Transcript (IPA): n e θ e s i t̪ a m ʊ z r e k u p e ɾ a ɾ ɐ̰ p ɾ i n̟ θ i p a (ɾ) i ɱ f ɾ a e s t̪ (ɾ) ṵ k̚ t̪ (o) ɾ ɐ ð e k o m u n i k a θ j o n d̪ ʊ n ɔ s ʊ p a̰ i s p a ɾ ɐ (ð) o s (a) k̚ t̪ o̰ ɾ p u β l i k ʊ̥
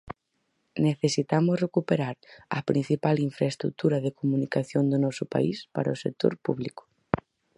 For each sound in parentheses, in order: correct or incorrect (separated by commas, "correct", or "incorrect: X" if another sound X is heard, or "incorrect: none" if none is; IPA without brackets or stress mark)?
incorrect: l, correct, incorrect: u, incorrect: none, incorrect: e